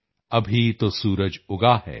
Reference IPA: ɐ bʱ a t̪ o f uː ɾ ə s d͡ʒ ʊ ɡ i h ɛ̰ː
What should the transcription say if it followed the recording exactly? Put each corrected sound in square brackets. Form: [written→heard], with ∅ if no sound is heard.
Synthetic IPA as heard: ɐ bʱ [a→i] t̪ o [f→s] uː ɾ ə [s→∅] d͡ʒ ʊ ɡ [i→a] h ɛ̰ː